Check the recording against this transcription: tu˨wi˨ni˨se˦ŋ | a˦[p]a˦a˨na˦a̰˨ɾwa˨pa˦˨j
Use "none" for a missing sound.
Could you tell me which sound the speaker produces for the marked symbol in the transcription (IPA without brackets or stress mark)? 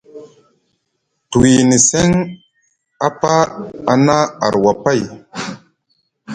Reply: p